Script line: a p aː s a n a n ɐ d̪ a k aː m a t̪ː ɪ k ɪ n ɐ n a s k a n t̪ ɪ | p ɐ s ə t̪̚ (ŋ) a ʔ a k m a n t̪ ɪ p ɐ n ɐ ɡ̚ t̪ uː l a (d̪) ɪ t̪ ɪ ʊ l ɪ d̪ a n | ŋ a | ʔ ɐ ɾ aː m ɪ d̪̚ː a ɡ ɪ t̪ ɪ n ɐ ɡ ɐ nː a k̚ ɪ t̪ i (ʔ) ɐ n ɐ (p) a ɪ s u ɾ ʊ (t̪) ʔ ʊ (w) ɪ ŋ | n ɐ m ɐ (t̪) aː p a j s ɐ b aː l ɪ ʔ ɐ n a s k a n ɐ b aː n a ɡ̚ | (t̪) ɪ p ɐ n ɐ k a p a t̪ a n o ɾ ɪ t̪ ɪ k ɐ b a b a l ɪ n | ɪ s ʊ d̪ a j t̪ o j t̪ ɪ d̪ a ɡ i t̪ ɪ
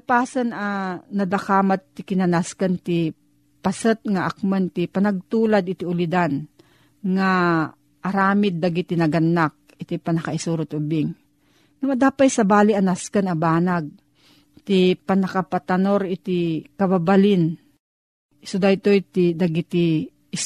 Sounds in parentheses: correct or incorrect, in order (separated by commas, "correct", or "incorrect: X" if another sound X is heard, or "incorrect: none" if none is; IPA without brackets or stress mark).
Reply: correct, correct, incorrect: p, incorrect: k, correct, incorrect: b, incorrect: d̪, correct